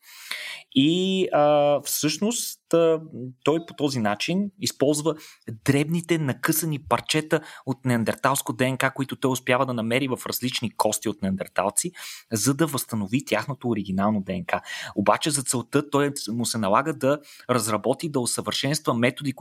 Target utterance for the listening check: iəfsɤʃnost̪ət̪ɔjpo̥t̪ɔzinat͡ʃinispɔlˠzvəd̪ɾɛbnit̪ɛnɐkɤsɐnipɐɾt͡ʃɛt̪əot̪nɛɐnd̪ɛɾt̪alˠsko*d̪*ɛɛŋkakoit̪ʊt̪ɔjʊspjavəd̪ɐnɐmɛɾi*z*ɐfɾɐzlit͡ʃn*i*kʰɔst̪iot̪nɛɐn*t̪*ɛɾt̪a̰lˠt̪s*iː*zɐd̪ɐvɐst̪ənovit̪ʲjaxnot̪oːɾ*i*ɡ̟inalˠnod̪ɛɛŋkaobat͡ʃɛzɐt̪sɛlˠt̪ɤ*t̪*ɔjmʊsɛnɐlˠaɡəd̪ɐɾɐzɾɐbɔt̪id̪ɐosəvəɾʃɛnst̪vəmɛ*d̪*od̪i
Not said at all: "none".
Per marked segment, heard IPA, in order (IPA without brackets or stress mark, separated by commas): d̪, v, i, d̪, i, i, t̪, t̪